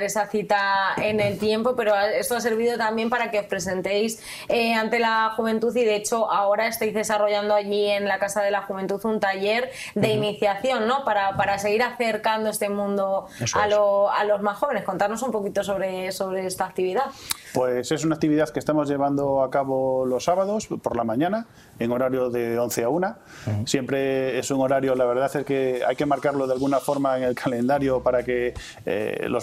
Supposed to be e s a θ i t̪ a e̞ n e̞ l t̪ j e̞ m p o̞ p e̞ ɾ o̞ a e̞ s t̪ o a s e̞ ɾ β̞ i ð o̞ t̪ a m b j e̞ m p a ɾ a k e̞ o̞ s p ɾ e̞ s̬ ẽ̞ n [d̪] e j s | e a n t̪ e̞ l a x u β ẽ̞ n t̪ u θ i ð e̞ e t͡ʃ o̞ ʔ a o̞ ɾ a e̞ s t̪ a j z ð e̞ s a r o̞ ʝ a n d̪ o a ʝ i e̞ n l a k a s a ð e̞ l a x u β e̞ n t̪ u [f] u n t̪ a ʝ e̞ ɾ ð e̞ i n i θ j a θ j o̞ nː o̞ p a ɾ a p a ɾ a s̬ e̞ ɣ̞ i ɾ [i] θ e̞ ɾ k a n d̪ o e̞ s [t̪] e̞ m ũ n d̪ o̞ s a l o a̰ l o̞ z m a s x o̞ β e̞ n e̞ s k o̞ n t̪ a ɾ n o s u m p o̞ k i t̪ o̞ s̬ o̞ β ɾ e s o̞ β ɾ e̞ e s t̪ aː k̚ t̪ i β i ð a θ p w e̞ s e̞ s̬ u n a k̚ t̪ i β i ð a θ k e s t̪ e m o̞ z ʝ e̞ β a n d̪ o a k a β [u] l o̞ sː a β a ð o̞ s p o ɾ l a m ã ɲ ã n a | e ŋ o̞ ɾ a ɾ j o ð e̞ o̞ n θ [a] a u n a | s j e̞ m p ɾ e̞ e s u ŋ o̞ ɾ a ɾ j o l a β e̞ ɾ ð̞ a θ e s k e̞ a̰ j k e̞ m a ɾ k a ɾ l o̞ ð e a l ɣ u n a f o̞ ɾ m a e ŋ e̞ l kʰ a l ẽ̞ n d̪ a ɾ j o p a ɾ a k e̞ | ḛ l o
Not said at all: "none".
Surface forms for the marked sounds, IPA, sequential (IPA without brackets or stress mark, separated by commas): t̪, θ, a, t̪, o, e